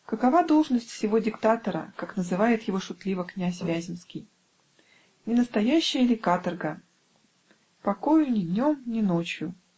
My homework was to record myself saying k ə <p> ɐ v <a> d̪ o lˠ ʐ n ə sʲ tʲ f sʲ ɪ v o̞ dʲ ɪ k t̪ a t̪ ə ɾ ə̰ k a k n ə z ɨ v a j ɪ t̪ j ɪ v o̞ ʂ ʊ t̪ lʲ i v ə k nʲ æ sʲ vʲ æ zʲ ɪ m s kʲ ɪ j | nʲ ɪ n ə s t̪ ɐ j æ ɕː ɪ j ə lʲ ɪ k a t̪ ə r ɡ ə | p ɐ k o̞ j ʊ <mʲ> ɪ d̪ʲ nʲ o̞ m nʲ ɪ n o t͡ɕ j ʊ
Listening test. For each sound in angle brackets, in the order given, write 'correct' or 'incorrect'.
incorrect, correct, incorrect

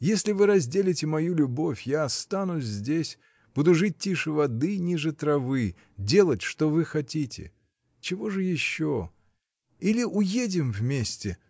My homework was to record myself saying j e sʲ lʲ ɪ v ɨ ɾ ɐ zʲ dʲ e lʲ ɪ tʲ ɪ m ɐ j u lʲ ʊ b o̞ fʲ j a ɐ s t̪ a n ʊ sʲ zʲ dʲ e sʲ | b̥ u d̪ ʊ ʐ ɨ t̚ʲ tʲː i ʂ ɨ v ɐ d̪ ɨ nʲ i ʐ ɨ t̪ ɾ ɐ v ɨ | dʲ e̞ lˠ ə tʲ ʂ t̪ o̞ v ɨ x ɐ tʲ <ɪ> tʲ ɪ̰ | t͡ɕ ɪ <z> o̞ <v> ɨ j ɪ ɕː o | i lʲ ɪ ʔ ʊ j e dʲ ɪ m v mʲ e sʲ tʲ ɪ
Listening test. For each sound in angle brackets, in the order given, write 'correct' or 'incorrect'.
incorrect, incorrect, incorrect

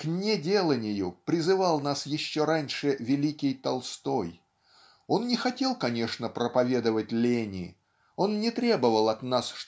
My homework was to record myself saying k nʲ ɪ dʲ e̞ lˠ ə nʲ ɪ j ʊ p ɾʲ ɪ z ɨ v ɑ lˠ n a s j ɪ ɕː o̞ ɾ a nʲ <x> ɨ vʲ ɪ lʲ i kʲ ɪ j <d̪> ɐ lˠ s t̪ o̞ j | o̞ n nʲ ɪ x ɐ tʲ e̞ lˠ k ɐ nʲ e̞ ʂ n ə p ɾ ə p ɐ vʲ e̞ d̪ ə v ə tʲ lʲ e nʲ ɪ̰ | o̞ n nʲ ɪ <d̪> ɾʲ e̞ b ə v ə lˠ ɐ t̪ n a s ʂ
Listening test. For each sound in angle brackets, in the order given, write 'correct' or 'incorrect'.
incorrect, incorrect, incorrect

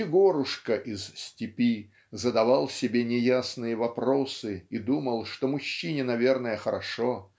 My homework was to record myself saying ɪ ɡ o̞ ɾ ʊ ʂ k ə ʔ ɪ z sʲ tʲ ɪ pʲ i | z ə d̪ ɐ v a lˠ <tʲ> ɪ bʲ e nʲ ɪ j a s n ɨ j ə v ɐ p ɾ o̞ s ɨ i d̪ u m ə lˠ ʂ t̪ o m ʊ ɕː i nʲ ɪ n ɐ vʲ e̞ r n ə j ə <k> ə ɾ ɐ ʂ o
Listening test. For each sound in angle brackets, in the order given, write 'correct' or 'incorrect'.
incorrect, incorrect

